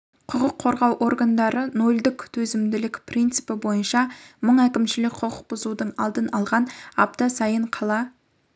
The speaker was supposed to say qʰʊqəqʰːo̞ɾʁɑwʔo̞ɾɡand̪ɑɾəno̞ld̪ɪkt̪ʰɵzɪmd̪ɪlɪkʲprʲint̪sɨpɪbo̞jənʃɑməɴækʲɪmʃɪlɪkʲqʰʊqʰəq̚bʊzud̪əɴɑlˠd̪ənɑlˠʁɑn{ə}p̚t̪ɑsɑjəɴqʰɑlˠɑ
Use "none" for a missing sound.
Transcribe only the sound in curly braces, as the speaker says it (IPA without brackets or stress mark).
ɑ